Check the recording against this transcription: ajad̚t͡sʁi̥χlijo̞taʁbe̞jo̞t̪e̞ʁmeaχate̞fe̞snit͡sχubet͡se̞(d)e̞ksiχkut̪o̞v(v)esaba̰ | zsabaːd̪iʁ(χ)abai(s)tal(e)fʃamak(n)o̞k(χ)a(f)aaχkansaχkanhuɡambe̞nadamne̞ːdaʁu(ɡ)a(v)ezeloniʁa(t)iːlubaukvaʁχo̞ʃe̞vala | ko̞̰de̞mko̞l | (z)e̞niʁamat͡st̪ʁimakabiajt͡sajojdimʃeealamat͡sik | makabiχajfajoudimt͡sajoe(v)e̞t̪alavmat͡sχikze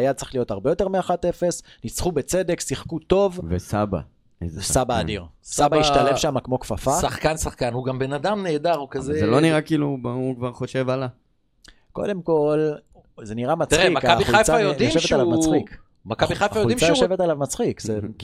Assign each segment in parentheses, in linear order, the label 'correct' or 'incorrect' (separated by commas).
correct, correct, incorrect, incorrect, correct, incorrect, incorrect, correct, incorrect, incorrect, incorrect, correct, correct